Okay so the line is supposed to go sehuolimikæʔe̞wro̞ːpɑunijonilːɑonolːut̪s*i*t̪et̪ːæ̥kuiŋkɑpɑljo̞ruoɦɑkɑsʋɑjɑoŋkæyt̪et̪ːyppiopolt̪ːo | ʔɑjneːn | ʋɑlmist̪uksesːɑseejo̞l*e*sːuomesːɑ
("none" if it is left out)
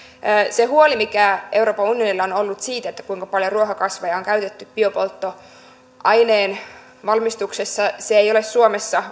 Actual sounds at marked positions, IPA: iː, e

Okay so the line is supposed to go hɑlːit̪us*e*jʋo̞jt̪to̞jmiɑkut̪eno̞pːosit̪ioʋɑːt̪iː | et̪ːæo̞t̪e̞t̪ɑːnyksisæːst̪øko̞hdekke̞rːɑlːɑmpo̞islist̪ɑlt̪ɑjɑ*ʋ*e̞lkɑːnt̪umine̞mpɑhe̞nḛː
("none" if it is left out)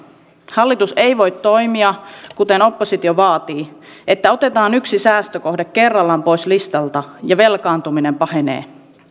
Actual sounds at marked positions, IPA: e, ʋ

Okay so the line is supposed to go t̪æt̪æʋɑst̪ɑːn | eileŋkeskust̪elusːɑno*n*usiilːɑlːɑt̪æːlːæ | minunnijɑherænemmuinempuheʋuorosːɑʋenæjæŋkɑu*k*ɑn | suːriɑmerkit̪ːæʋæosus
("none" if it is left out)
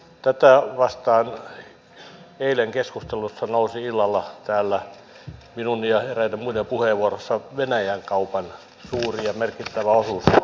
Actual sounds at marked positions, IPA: none, p

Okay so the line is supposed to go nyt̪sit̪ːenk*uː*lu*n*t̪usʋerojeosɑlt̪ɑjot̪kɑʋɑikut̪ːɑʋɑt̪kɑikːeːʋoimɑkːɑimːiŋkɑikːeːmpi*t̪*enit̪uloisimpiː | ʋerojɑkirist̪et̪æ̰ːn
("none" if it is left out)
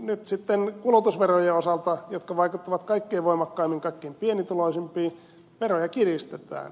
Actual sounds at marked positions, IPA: u, none, none

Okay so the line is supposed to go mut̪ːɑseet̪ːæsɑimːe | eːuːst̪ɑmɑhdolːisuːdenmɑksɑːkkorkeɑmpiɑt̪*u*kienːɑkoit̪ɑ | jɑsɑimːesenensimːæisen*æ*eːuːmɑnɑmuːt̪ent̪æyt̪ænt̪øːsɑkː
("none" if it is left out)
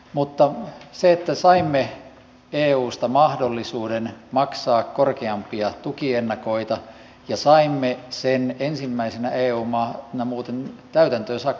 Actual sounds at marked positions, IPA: u, æ

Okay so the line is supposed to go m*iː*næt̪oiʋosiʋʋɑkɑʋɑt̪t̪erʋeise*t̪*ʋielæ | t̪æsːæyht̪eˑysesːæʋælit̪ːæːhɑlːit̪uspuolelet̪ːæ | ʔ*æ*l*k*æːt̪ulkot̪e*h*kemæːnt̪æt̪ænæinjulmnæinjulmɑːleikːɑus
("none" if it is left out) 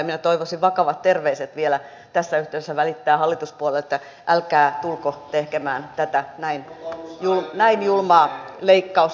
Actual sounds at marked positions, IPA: i, t̪, æ, k, h

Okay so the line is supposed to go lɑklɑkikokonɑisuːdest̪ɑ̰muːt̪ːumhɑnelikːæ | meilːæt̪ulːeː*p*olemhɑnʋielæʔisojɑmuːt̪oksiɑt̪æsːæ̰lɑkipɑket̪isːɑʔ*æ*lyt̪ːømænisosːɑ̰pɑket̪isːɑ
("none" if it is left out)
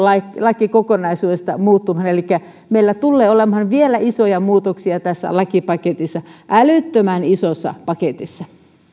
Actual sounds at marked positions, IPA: none, æ

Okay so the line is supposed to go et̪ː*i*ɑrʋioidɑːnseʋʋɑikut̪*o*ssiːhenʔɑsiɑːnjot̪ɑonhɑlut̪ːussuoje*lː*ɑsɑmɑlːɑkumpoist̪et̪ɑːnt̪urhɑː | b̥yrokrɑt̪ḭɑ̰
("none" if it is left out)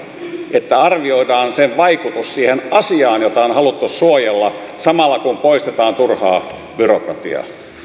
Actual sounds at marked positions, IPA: æ, u, lː

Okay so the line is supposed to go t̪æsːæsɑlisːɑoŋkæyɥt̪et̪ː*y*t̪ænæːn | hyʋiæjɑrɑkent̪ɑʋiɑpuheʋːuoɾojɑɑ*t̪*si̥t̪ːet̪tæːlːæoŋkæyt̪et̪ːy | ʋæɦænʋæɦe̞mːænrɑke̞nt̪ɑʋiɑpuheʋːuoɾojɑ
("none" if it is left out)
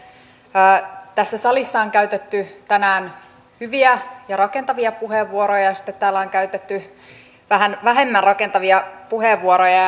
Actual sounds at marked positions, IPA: y, none

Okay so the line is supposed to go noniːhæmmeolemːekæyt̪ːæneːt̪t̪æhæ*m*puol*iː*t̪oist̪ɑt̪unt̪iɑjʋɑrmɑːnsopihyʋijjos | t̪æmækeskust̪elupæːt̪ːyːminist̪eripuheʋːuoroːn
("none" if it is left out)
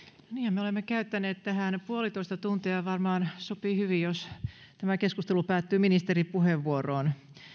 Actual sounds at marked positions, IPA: n, i

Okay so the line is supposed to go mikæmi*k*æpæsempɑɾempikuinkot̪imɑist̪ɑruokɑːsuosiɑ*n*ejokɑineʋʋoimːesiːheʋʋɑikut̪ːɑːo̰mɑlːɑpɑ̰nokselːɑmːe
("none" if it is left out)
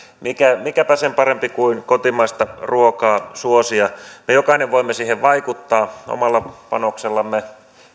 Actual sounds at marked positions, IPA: k, m

